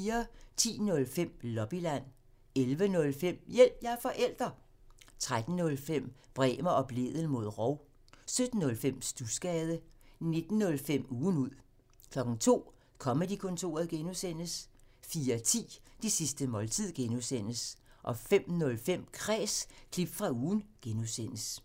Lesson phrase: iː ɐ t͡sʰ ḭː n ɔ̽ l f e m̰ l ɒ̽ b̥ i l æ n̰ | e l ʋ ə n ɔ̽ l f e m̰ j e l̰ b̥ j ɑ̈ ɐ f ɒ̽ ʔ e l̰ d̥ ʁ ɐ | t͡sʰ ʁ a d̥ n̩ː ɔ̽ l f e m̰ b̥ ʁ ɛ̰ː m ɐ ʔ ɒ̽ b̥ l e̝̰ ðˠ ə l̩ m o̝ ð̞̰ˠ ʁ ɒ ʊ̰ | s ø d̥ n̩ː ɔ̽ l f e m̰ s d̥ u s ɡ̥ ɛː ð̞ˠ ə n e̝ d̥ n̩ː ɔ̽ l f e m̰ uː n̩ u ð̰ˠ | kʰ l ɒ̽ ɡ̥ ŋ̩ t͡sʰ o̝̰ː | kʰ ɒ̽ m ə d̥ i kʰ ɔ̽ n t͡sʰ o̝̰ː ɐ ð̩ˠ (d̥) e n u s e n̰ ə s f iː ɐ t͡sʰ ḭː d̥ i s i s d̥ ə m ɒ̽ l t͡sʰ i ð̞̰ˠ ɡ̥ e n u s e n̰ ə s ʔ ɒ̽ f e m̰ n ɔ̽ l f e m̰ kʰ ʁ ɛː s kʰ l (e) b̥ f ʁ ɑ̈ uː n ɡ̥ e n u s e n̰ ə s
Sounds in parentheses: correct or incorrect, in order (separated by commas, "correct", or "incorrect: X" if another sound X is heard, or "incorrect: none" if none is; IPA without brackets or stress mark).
incorrect: ɡ̥, incorrect: i